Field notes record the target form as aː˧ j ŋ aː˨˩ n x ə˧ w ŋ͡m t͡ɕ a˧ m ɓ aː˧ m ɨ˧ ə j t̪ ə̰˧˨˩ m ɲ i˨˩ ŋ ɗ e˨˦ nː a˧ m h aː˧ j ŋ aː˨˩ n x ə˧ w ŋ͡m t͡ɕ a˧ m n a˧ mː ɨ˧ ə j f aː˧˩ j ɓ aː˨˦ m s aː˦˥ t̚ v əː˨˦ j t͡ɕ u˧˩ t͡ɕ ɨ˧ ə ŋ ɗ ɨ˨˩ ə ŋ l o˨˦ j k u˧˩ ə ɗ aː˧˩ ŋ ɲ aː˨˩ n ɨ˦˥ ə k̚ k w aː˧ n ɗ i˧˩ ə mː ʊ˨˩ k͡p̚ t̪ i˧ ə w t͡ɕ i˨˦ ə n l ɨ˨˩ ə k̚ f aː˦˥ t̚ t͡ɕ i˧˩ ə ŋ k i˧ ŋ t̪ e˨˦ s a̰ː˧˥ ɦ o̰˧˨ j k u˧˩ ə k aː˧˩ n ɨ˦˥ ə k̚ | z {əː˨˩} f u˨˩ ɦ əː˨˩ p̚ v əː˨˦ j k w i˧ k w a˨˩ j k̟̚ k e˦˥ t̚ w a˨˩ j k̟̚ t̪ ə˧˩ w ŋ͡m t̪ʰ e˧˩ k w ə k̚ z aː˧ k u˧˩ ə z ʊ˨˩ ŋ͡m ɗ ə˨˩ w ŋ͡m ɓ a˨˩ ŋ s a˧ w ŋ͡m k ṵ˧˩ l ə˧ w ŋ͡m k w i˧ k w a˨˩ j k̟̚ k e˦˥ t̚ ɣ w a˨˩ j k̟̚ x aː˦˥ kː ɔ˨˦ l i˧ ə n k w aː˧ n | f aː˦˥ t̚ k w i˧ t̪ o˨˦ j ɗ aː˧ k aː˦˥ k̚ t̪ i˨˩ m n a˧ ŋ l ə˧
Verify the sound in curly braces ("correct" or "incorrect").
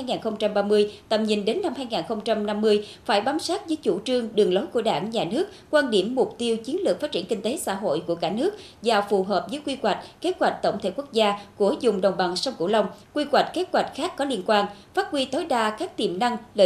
incorrect